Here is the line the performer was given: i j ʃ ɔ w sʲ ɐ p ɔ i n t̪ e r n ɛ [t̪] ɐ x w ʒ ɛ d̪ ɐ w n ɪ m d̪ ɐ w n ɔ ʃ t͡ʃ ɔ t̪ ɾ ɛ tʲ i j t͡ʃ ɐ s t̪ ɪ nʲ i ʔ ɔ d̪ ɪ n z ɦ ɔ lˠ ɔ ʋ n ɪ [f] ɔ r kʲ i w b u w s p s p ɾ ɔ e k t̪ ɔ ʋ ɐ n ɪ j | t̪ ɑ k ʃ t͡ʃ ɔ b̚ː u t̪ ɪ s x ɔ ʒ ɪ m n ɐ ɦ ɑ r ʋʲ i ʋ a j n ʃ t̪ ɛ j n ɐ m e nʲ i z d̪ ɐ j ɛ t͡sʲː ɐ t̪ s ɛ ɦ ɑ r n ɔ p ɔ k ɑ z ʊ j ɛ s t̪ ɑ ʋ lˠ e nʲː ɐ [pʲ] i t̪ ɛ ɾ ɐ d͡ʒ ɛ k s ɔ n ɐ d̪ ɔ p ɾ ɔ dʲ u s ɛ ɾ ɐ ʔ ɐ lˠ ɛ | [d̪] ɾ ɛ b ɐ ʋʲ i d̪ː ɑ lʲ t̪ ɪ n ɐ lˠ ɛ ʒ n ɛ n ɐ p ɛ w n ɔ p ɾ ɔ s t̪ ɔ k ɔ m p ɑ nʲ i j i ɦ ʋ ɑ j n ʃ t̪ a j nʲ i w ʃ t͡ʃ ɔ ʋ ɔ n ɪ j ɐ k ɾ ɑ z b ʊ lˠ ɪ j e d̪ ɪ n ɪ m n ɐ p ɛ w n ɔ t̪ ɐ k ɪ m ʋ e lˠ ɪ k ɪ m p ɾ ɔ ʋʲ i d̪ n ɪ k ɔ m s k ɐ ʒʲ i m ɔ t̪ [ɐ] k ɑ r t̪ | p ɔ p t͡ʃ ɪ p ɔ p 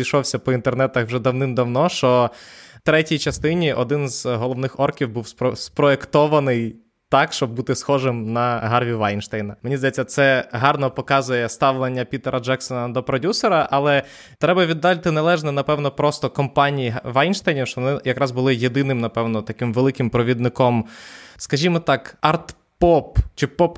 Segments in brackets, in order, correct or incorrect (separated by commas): correct, incorrect, correct, incorrect, incorrect